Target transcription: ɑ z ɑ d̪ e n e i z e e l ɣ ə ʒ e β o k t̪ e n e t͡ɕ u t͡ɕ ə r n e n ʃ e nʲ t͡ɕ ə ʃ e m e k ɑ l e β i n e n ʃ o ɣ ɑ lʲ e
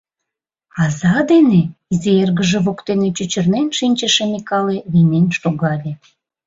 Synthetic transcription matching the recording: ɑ z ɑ d̪ e n e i z e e r ɣ ə ʒ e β o k t̪ e n e t͡ɕ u t͡ɕ ə r n e n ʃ i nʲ t͡ɕ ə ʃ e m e k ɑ l e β i n e n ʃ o ɣ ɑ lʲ e

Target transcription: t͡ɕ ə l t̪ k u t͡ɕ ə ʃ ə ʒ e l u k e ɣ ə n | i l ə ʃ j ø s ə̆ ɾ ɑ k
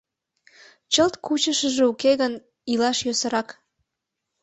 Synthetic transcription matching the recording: t͡ɕ ə l t̪ k u t͡ɕ ə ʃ ə ʒ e u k e ɣ ə n | i l ɑ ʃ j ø s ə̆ ɾ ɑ k

